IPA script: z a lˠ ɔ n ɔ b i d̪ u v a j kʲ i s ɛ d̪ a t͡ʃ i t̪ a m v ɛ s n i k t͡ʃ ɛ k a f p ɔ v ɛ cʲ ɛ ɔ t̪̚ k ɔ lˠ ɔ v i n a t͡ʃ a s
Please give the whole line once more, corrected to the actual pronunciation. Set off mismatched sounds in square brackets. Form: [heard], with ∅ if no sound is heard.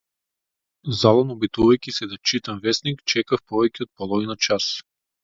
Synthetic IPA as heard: z a lˠ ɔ n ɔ b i [t̪] u v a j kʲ i s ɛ d̪ a t͡ʃ i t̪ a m v ɛ s n i k t͡ʃ ɛ k a f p ɔ v ɛ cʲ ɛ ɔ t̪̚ [p] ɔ lˠ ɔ v i n a t͡ʃ a s